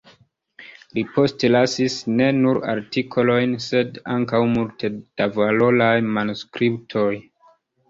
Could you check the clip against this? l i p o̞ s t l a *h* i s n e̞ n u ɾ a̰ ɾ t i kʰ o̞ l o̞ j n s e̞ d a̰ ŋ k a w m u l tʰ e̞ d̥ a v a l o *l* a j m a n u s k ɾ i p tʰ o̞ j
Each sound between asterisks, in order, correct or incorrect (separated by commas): incorrect, correct